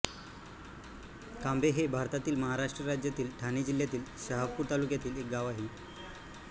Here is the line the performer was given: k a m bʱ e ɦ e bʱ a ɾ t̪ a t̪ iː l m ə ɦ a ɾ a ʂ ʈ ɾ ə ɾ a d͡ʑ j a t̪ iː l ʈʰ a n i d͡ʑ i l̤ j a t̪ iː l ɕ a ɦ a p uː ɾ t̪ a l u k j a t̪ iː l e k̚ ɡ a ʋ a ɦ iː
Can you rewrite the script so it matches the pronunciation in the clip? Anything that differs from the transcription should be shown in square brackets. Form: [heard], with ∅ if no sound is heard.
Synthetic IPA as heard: k a m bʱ e ɦ e bʱ a ɾ t̪ a t̪ iː l m ə ɦ a ɾ a ʂ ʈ ɾ ə ɾ a d͡ʑ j a t̪ iː l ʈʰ a n i d͡ʑ i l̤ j a t̪ iː l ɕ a ɦ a p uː ɾ t̪ a l u k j a t̪ iː l e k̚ ɡ a ʋ a ɦ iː